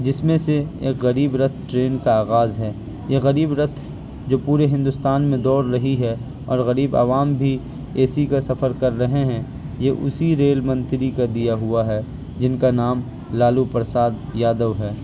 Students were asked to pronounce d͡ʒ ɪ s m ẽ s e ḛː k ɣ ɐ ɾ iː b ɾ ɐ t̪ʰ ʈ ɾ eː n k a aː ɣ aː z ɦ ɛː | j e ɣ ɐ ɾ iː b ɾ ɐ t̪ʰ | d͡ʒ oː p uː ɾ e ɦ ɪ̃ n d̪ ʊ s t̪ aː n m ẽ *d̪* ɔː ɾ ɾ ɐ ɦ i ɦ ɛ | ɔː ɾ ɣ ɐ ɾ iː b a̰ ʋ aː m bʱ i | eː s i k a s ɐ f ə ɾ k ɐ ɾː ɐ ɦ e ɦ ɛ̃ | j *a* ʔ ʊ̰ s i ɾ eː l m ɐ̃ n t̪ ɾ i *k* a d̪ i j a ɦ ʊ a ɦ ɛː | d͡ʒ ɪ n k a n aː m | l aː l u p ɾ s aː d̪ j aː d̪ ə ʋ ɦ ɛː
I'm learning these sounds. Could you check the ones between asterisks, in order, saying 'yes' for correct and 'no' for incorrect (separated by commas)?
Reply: yes, no, yes